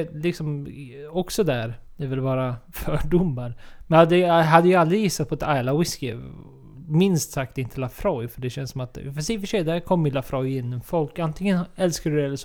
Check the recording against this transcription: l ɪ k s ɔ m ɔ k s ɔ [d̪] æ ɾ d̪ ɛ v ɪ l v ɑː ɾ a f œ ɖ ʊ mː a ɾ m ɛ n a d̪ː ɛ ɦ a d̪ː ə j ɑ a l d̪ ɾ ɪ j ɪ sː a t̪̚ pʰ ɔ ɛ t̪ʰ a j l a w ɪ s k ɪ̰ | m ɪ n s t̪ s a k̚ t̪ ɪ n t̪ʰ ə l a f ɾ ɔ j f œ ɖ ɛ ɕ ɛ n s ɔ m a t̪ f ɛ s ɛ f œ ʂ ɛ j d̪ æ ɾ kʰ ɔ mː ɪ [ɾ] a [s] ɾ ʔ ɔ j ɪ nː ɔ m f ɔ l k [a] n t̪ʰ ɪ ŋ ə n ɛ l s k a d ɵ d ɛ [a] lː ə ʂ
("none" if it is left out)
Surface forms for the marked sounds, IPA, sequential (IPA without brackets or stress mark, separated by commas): d̪, l, f, a, ɛ